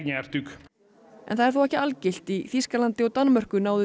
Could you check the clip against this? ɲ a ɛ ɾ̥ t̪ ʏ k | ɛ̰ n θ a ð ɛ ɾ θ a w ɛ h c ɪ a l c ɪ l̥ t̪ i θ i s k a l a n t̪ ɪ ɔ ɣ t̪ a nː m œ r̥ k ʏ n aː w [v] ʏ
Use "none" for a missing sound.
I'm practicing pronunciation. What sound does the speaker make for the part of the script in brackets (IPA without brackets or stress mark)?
ð